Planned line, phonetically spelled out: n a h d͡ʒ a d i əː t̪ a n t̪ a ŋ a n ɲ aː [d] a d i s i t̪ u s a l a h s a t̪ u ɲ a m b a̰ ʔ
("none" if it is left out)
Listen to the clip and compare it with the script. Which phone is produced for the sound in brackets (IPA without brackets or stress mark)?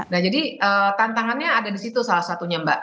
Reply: d